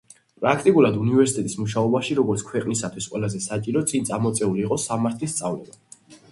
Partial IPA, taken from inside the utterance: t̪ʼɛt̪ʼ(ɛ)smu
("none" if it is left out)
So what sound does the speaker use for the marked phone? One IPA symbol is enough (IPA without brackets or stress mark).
i